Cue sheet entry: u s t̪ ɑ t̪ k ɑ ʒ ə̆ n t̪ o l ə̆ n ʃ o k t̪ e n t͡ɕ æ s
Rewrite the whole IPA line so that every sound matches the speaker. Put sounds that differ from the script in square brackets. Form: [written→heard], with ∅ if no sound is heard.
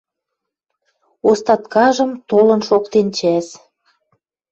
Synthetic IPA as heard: [u→o] s t̪ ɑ t̪ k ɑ ʒ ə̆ [n→m] t̪ o l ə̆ n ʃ o k t̪ e n t͡ɕ æ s

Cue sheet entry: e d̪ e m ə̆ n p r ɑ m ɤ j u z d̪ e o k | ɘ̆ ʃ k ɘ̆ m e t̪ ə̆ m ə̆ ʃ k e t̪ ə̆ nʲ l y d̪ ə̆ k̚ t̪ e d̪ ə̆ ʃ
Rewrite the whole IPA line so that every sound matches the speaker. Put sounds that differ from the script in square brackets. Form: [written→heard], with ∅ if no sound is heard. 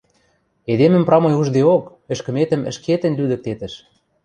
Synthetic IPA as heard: e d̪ e m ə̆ [n→m] p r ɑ m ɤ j u [z→ʒ] d̪ e o k | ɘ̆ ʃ k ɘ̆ m e t̪ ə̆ m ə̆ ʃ k e t̪ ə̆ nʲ l y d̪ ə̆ k̚ t̪ e [d̪→t̪] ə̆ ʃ

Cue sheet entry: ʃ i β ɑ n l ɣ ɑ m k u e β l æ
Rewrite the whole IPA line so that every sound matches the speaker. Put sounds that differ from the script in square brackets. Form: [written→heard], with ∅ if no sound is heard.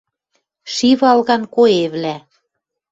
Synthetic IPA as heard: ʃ i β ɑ [n→∅] l ɣ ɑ [m→n] k [u→o] e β l æ

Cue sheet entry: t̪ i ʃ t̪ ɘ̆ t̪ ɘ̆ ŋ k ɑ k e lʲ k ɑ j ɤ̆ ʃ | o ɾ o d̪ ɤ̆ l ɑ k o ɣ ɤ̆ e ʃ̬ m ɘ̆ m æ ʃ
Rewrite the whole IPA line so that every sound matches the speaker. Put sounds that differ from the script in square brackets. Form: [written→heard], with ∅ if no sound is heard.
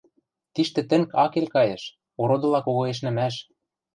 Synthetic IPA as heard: t̪ i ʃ t̪ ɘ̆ t̪ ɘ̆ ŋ k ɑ k e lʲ k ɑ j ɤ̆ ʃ | o ɾ o d̪ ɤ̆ l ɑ k o ɣ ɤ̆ e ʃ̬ [m→n] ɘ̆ m æ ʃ

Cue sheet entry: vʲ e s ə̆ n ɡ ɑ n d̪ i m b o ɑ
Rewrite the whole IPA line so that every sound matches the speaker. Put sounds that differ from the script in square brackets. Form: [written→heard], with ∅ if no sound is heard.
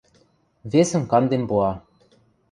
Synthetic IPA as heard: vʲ e s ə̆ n [ɡ→k] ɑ n d̪ [i→e] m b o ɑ

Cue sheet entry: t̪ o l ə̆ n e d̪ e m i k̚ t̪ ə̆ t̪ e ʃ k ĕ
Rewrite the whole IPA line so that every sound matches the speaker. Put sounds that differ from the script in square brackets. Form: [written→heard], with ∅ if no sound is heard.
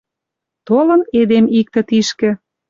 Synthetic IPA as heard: t̪ o l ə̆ n e d̪ e m i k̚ t̪ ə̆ t̪ [e→i] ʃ k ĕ

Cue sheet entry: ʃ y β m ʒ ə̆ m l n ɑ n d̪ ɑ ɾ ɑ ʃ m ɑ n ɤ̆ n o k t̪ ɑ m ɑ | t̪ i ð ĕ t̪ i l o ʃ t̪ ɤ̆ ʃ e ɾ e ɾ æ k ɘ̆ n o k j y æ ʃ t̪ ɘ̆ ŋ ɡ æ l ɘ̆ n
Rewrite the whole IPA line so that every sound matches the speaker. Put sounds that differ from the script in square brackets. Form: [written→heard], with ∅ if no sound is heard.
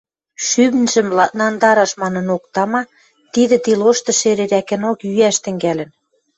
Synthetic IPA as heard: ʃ y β [m→n] ʒ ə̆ m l n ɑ n d̪ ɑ ɾ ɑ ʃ m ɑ n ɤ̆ n o k t̪ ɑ m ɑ | t̪ i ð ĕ t̪ i l o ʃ t̪ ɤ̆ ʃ e ɾ e ɾ æ k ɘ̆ n o k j y æ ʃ t̪ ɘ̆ ŋ ɡ æ l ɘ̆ n

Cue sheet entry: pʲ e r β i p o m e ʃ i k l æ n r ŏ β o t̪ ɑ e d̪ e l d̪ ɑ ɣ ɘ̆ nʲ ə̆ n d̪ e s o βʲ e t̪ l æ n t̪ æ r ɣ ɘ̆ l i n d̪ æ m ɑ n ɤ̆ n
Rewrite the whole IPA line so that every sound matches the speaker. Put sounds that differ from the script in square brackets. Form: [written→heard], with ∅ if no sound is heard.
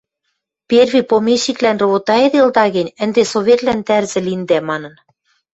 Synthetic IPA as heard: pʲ e r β i p o m e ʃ i k l æ n r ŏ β o t̪ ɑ e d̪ e l d̪ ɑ ɣ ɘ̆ nʲ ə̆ n d̪ e s o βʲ e t̪ l æ n t̪ æ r [ɣ→z] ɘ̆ l i n d̪ æ m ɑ n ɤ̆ n

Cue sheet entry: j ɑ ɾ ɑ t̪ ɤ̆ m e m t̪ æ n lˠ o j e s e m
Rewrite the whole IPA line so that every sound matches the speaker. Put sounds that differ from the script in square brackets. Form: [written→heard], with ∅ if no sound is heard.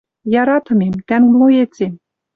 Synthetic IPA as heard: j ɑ ɾ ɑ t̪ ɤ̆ m e m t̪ æ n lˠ o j e [s→t͡s] e m

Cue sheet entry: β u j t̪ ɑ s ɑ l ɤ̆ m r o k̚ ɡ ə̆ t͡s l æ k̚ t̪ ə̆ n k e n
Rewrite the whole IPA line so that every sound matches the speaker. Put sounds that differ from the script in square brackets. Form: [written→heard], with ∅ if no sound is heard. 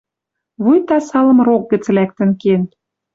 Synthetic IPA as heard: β u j t̪ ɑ s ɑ l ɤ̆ m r o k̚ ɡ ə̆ t͡s l æ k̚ t̪ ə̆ n k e n

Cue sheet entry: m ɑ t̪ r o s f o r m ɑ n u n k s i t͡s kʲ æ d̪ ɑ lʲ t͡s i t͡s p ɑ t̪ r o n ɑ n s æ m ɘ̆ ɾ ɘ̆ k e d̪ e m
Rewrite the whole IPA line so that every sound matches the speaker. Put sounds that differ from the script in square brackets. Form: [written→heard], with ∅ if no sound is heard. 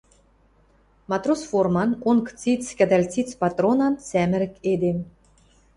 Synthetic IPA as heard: m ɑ t̪ r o s f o r m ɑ n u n k [s→t͡s] i t͡s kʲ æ d̪ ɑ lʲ t͡s i t͡s p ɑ t̪ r o n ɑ n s æ m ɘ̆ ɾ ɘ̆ k e d̪ e m

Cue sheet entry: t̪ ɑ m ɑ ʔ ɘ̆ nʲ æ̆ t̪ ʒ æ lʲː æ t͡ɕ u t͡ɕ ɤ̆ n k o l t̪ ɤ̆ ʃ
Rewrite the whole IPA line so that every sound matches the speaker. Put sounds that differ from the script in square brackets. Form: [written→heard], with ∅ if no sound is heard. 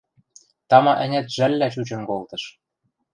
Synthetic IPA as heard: t̪ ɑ m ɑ ʔ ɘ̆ nʲ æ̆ t̪ ʒ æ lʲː æ t͡ɕ u t͡ɕ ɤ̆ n k o l t̪ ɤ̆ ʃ

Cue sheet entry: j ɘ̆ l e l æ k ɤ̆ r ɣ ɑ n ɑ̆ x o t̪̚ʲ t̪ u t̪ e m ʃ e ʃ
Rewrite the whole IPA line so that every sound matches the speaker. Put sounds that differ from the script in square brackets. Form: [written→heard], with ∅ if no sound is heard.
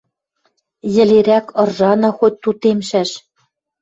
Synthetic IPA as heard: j ɘ̆ l e [l→ɾ] æ k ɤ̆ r [ɣ→ʒ] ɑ n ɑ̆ x o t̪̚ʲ t̪ u t̪ e m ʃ [e→æ] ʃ

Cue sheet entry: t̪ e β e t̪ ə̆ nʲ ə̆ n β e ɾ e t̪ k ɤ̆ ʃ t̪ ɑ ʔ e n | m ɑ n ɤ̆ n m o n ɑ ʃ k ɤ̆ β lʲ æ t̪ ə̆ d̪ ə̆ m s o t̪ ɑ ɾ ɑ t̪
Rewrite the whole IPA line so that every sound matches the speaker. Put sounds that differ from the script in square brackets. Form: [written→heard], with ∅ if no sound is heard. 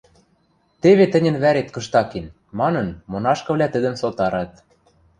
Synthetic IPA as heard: t̪ e β e t̪ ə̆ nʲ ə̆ n β [e→æ] ɾ e t̪ k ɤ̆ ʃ t̪ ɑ [ʔ→k] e n | m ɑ n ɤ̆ n m o n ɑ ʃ k ɤ̆ β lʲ æ t̪ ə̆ d̪ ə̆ m s o t̪ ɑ ɾ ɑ t̪

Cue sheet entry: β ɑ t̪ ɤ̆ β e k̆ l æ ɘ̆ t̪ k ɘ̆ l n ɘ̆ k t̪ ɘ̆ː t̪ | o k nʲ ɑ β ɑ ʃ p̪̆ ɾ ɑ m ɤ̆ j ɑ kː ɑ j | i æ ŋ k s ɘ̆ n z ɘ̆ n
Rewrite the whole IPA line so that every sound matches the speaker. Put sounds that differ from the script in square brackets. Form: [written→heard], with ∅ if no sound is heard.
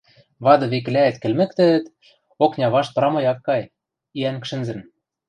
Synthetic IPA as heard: β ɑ [t̪→d̪] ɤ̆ β e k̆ l æ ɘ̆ t̪ k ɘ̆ l [n→m] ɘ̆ k t̪ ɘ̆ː t̪ | o k nʲ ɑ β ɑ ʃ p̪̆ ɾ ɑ m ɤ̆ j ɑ kː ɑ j | i æ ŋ k [s→ʃ] ɘ̆ n z ɘ̆ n

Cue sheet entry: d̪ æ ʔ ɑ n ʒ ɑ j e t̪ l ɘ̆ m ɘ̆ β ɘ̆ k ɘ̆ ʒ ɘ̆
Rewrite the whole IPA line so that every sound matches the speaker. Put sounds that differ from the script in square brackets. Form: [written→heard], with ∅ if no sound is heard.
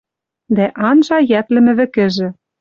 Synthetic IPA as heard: d̪ æ ʔ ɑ n ʒ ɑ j [e→æ] t̪ l ɘ̆ m ɘ̆ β ɘ̆ k ɘ̆ ʒ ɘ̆

